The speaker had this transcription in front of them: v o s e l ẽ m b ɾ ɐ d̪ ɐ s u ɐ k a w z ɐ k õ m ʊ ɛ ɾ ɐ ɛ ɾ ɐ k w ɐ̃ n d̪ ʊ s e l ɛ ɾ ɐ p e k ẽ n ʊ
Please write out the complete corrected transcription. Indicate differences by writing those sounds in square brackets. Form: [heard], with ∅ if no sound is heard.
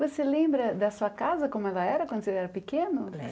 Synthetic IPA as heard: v o s e l ẽ m b ɾ ɐ d̪ ɐ s u ɐ k a [∅] z ɐ k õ m ʊ ɛ [l] ɐ ɛ ɾ ɐ k w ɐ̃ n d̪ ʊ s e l ɛ ɾ ɐ p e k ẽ n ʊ